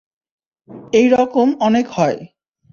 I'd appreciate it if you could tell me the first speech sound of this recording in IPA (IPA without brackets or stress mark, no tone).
e